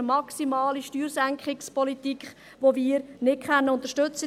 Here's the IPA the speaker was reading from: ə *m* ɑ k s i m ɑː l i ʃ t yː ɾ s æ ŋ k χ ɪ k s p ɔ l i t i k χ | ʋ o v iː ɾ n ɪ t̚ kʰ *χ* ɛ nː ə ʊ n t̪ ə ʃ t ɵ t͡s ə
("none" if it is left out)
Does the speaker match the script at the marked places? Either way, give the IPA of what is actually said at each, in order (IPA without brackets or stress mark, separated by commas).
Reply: m, χ